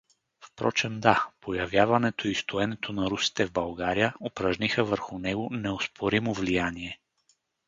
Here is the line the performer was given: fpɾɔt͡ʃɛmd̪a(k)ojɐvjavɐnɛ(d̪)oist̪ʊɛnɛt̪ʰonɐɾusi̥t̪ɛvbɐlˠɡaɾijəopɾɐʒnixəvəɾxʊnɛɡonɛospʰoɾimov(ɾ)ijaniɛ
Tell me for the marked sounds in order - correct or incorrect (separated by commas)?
incorrect, incorrect, incorrect